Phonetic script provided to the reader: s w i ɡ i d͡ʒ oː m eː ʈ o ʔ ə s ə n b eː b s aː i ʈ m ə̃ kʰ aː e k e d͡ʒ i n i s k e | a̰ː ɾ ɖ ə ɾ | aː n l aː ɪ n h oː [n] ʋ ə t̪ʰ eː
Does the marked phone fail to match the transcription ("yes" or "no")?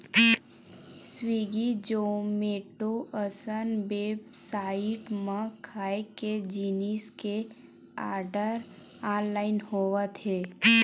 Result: yes